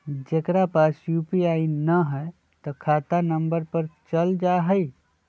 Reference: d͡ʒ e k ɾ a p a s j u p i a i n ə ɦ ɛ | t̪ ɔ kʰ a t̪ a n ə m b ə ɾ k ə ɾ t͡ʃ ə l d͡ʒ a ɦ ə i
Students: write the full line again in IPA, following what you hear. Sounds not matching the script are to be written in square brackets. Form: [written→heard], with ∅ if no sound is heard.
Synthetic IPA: d͡ʒ e k ɾ a p a s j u p i a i n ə ɦ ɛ | t̪ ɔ kʰ a t̪ a n ə m b ə ɾ [k→p] ə ɾ t͡ʃ ə l d͡ʒ a ɦ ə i